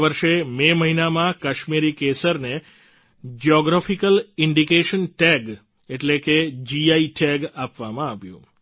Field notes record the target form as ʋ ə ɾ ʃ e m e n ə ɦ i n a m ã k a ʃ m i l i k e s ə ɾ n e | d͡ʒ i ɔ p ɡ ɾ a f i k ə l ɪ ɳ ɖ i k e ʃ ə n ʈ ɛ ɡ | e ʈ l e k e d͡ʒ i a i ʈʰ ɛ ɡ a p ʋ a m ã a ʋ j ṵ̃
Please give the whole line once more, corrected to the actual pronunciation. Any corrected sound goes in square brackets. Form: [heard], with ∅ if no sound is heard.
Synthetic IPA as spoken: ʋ ə ɾ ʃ e m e [m] ə ɦ i n a m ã k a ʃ m i [ɾ] i k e s ə ɾ n e | d͡ʒ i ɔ [∅] ɡ ɾ a f i k ə l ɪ ɳ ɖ i k e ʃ ə n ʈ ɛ ɡ | e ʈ l e k e d͡ʒ i a i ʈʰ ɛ ɡ a p ʋ a m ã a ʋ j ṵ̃